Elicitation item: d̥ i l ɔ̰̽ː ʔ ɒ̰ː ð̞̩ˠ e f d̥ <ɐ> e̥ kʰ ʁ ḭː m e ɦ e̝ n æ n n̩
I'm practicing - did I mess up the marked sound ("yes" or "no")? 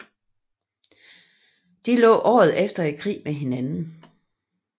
no